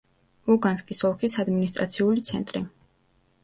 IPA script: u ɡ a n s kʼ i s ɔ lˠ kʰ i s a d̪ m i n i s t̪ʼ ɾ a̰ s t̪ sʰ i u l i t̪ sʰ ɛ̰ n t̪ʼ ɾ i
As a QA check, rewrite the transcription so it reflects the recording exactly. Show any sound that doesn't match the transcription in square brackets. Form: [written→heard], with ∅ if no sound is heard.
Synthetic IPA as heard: u ɡ a n s kʼ i s ɔ lˠ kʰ i s a d̪ m i n i s t̪ʼ ɾ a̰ [s→∅] t̪ sʰ i u l i t̪ sʰ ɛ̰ n t̪ʼ ɾ i